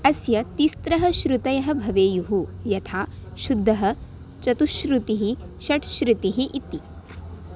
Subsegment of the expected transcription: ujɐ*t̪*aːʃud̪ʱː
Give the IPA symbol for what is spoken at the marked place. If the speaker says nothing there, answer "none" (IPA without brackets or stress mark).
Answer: t̪ʰ